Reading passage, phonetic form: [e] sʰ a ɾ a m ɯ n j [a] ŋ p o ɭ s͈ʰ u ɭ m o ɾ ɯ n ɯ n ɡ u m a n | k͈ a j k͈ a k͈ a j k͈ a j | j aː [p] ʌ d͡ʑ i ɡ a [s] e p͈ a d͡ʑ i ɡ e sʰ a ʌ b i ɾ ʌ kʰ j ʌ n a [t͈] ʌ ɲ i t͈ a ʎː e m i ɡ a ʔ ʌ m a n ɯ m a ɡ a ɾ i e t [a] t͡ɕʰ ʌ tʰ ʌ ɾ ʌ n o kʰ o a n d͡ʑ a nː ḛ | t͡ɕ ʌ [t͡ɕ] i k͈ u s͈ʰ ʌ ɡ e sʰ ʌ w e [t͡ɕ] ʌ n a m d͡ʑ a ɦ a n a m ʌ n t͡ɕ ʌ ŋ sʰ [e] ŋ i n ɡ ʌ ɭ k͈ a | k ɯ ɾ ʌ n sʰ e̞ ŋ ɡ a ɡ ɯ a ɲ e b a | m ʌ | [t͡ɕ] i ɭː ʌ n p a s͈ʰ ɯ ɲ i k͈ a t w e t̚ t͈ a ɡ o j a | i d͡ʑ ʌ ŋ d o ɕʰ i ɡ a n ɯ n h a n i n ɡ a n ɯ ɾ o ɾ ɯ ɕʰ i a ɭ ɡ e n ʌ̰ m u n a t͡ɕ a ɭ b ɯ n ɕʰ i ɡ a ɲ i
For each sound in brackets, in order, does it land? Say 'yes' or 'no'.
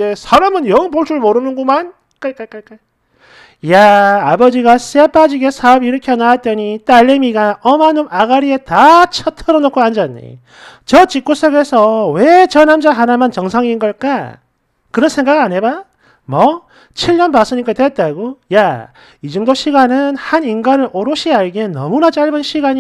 yes, no, no, yes, yes, yes, yes, yes, no, no

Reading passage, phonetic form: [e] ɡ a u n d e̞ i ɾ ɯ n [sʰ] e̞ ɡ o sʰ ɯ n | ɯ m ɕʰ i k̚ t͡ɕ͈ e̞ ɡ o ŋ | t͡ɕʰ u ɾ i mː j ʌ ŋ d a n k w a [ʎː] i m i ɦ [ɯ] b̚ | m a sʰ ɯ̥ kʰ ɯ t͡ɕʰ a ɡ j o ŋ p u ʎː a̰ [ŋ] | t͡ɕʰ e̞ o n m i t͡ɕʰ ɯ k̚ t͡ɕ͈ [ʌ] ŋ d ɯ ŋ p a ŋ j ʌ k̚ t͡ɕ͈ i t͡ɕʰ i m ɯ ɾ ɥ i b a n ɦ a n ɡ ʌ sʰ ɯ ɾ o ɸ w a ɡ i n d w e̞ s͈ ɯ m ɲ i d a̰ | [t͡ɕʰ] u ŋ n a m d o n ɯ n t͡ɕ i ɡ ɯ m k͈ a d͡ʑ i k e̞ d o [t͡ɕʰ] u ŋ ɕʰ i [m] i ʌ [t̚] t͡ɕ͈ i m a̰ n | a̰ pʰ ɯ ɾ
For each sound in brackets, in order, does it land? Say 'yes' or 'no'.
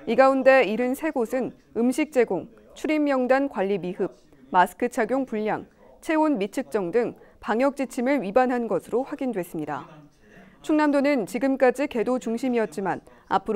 no, yes, yes, yes, yes, yes, yes, no, yes, yes

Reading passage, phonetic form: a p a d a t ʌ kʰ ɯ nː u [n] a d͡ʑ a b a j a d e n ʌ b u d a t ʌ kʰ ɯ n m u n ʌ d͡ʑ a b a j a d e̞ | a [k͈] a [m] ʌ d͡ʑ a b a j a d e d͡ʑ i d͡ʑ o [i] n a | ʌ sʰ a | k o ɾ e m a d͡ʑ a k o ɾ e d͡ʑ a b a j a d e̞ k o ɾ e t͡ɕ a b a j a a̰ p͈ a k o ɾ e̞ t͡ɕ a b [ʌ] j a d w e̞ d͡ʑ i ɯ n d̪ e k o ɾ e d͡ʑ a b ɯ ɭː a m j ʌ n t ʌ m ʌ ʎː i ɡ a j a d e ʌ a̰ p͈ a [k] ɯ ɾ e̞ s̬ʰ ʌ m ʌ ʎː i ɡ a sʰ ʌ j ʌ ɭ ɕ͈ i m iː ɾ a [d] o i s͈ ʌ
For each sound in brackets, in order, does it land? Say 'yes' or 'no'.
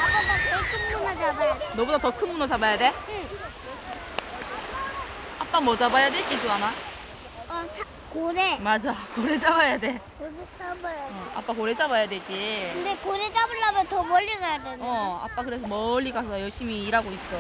yes, no, yes, no, no, yes, no

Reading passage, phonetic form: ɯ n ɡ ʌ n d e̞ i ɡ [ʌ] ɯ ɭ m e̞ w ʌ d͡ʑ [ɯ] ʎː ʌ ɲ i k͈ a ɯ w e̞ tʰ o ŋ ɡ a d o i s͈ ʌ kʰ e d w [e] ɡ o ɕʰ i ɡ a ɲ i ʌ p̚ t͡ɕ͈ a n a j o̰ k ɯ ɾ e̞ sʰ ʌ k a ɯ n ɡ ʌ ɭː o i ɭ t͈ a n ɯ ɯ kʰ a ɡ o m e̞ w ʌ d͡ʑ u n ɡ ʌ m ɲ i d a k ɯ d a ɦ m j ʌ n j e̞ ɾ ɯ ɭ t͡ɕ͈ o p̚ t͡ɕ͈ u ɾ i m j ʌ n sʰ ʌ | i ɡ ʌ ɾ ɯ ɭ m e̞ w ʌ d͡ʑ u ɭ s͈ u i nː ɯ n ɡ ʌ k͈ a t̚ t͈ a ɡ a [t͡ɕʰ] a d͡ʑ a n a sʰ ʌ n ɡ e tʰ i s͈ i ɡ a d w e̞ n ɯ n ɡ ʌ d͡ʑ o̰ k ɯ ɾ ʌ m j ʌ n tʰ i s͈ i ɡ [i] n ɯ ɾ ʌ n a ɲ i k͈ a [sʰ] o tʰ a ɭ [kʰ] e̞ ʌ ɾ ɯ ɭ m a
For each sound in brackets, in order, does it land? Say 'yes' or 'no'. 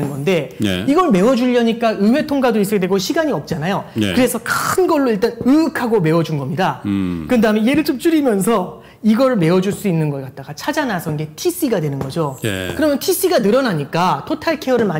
yes, no, yes, yes, no, no, yes

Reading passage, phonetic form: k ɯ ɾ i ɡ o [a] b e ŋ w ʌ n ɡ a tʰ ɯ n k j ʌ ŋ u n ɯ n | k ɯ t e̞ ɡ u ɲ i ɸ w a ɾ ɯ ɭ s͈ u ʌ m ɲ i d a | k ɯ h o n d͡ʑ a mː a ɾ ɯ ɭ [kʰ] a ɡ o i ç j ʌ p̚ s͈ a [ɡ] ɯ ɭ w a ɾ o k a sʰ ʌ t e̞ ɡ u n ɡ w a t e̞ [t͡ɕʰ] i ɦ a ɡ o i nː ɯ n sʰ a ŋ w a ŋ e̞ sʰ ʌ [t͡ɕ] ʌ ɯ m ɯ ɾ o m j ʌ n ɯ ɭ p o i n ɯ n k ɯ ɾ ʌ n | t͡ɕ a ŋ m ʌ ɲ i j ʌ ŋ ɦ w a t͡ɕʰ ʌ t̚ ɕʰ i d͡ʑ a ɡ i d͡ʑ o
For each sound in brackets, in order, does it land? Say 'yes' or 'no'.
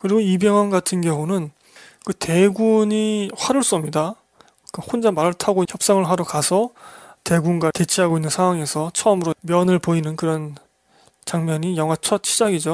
no, no, no, yes, no

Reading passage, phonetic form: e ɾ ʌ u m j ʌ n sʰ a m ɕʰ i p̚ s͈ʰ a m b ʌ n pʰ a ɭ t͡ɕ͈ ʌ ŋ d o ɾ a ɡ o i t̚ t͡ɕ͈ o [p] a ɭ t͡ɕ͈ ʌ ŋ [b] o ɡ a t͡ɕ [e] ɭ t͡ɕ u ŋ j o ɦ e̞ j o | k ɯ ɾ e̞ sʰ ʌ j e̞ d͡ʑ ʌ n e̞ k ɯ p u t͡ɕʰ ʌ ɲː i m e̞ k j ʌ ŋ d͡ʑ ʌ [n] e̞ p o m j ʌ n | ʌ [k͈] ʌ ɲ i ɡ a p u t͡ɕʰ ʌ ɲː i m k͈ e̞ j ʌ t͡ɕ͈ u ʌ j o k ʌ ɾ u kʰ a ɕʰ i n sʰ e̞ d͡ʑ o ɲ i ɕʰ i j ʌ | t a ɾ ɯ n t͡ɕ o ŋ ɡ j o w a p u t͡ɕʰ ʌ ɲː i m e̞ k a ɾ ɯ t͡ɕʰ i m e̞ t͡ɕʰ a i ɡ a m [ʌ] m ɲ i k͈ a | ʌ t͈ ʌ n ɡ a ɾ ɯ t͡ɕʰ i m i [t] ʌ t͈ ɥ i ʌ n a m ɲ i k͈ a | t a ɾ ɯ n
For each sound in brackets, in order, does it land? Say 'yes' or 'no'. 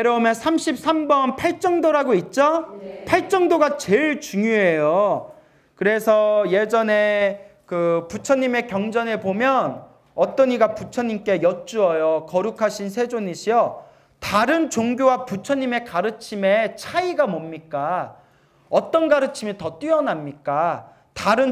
no, no, yes, yes, no, yes, yes

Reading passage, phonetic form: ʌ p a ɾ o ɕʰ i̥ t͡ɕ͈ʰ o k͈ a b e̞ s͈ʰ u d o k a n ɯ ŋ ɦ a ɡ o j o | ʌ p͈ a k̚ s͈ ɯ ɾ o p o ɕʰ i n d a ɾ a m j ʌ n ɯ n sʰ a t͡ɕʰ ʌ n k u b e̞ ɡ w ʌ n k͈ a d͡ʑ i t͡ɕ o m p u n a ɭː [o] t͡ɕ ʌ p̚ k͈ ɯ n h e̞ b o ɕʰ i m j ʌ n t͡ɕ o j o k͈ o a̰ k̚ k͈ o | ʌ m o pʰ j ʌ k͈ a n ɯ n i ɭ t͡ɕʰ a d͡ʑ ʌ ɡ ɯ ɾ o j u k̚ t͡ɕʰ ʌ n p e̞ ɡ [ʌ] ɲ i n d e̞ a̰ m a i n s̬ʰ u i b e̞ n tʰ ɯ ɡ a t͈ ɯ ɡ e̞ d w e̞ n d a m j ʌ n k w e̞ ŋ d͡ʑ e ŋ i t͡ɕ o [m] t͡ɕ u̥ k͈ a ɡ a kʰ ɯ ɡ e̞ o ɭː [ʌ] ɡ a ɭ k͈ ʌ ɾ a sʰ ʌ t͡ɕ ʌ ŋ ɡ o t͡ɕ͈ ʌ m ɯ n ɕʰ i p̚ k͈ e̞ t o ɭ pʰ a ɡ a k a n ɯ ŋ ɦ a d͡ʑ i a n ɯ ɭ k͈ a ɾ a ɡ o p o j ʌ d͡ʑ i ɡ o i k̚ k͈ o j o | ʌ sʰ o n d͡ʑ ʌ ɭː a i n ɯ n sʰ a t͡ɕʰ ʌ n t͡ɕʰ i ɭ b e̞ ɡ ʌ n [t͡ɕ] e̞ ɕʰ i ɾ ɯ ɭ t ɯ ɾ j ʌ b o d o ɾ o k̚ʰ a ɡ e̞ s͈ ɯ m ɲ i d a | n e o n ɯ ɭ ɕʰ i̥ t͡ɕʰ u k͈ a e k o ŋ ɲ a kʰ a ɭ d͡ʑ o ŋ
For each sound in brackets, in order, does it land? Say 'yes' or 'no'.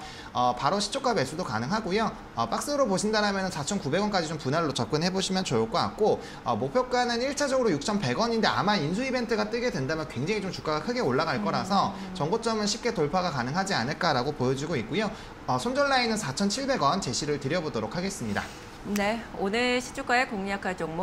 yes, yes, yes, no, yes

